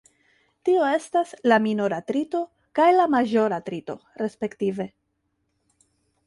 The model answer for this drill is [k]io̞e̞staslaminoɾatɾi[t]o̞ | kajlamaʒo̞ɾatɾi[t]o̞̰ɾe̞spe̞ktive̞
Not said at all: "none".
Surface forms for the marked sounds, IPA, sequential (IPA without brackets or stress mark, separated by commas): t, t, t